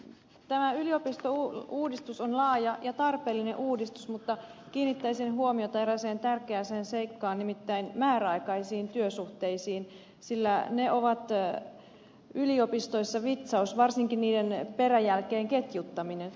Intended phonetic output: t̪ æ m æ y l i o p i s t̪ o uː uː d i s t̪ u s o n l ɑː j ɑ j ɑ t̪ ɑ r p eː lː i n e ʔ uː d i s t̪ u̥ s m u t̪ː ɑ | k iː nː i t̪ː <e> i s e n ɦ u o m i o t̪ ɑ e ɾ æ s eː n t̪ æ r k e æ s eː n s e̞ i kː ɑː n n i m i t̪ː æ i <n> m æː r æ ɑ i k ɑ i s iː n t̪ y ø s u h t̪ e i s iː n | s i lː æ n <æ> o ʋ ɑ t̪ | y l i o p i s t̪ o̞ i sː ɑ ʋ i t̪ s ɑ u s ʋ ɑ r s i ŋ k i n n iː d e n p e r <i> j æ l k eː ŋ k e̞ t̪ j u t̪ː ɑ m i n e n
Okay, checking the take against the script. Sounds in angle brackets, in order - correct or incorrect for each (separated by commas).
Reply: incorrect, correct, incorrect, incorrect